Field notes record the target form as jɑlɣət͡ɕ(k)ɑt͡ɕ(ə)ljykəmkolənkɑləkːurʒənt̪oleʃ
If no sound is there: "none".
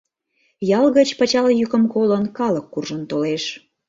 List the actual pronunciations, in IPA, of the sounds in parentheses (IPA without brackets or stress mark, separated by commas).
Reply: p, ɑ